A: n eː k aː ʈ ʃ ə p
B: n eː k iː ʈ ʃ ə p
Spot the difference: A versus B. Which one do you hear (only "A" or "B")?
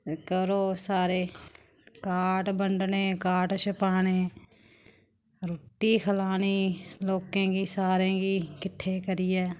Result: A